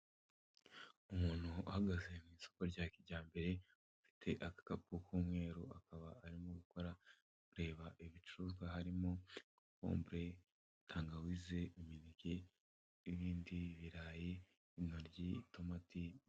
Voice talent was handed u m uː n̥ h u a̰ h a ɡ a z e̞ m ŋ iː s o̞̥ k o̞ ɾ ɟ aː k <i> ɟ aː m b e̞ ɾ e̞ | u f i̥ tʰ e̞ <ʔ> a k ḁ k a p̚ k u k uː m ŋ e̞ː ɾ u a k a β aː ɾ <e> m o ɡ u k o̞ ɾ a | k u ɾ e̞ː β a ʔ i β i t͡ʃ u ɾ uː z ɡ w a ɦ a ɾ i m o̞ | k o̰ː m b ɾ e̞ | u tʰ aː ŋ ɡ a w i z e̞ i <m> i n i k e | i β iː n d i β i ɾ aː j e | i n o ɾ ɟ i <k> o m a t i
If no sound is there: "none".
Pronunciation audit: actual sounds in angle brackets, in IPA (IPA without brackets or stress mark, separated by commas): i, ʔ, i, m, t